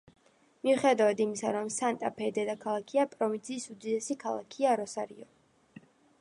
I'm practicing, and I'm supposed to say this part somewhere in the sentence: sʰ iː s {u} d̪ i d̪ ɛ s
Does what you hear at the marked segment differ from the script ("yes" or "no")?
no